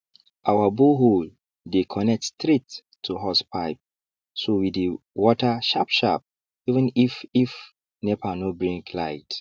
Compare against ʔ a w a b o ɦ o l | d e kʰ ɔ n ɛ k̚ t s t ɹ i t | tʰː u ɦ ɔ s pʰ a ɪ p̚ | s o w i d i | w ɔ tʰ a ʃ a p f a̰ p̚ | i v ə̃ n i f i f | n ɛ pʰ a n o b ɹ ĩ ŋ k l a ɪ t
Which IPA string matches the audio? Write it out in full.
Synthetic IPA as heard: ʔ a w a b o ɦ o l | d e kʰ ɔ n ɛ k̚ t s t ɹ i t | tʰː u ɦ ɔ s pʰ a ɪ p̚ | s o w i d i | w ɔ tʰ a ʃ a p ʃ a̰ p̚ | i v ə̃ n i f i f | n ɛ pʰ a n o b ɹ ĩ ŋ k l a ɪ t